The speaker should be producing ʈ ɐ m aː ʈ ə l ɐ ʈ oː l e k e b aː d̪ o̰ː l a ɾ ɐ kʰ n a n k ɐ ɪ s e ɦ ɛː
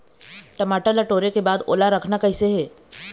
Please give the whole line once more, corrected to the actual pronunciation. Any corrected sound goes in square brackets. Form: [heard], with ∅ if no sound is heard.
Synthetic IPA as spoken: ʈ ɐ m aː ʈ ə l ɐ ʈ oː [ɾ] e k e b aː d̪ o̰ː l a ɾ ɐ kʰ n a [∅] k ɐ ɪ s e ɦ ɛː